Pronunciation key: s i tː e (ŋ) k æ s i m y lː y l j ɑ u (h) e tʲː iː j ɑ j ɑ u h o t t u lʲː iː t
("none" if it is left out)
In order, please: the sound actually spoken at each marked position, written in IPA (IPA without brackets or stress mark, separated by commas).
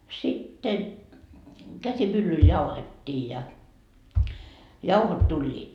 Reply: n, h